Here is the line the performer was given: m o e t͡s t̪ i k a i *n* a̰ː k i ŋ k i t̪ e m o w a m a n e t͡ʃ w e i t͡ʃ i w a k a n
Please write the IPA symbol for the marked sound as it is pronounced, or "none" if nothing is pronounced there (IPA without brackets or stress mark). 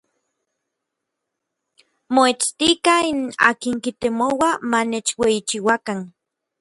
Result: n